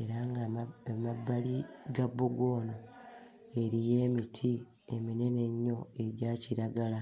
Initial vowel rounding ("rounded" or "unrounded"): unrounded